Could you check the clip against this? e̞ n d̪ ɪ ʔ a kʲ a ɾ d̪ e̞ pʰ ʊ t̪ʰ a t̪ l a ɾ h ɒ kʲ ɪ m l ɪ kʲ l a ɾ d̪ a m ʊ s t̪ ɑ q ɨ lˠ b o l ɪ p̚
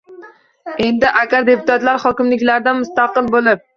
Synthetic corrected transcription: e̞ n d̪ ɪ ʔ a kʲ a ɾ d̪ e̞ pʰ ʊ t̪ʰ a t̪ l a ɾ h ɒ kʲ ɪ m l ɪ kʲ l a ɾ d̪ a m ʊ s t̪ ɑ q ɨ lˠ b o l ɪ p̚